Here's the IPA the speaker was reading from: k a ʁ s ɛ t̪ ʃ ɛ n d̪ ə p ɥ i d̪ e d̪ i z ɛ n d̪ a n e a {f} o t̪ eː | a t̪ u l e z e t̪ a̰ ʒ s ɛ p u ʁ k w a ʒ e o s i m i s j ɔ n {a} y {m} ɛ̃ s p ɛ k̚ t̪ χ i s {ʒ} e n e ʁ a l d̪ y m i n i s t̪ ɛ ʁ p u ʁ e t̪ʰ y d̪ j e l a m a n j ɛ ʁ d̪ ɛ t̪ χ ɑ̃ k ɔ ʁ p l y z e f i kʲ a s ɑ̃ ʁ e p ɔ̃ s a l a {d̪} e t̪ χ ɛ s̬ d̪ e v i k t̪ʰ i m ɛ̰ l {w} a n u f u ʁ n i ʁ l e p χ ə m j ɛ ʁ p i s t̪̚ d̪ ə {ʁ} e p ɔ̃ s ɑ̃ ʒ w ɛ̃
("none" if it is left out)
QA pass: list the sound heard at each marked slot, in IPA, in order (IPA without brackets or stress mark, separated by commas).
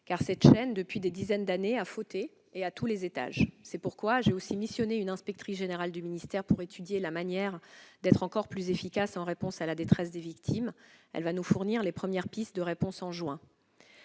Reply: f, e, n, ʒ, d̪, v, ʁ